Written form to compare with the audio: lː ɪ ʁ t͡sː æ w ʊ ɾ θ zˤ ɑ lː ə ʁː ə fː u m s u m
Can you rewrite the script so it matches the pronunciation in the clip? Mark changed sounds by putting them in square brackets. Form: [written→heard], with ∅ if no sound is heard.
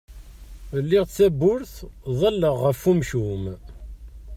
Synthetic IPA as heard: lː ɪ ʁ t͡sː æ [w→b] ʊ ɾ θ [zˤ→ðˤ] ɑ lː ə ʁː ə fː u m [s→ʃ] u m